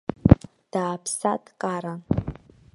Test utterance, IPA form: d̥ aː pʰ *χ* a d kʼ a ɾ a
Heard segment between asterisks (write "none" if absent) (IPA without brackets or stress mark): s